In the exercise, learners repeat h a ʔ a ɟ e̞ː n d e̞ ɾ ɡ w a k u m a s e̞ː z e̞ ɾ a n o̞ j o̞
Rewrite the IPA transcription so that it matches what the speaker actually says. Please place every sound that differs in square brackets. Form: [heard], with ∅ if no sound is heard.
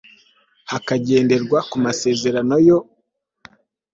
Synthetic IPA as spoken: h a [k] a ɟ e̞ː n d e̞ ɾ ɡ w a k u m a s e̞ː z e̞ ɾ a n o̞ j o̞